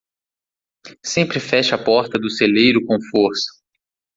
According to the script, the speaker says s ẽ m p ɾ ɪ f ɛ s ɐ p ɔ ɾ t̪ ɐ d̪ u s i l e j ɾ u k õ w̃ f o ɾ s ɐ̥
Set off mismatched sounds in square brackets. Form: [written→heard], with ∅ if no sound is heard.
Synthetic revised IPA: s ẽ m p ɾ ɪ f ɛ [s→ʃ] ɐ p ɔ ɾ t̪ ɐ d̪ [u→ʊ] s [i→e] l e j ɾ [u→ʊ] k õ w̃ f o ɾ s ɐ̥